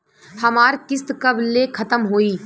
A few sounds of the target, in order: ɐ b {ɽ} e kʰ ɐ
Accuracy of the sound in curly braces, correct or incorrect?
incorrect